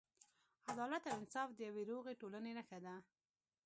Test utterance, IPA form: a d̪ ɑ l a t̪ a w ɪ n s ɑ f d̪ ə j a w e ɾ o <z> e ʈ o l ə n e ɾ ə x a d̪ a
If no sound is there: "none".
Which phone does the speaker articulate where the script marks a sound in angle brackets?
ɣ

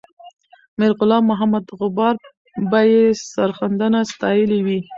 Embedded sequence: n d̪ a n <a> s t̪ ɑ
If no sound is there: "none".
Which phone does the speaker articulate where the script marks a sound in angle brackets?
a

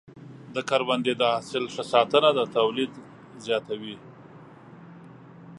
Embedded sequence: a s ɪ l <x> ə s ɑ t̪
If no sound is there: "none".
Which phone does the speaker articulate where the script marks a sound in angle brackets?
ʂ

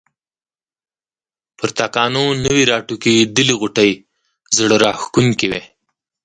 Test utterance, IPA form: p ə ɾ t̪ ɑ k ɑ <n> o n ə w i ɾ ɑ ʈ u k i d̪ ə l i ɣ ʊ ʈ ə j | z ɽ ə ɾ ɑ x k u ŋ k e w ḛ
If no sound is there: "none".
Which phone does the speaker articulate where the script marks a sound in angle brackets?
n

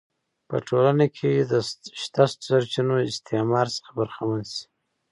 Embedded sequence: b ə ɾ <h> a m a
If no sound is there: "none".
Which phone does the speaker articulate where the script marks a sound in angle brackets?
x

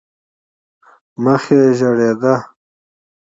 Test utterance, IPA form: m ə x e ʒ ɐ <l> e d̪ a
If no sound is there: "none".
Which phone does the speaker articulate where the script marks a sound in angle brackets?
ɽ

